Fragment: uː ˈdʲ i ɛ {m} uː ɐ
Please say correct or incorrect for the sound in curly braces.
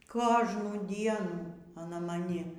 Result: incorrect